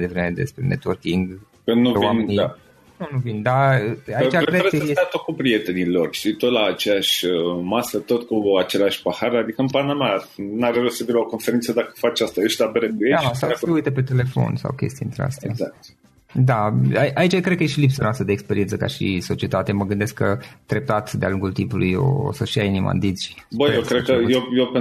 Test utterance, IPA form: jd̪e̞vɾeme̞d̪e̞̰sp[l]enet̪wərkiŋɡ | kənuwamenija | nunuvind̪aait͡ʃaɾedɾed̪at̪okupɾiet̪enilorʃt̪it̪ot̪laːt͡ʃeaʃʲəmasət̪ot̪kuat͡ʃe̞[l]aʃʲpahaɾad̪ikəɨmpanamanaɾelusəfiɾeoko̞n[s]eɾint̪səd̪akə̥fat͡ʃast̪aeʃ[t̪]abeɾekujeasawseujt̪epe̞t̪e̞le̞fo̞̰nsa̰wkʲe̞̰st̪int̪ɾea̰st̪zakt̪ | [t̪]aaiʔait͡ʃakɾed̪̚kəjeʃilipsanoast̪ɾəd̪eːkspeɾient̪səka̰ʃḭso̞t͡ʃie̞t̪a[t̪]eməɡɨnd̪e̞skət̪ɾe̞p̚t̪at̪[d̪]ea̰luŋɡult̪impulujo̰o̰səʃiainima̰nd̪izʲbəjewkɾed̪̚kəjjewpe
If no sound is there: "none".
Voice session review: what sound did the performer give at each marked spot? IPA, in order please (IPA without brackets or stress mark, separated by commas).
ɾ, l, f, t̪, d̪, t̪, d̪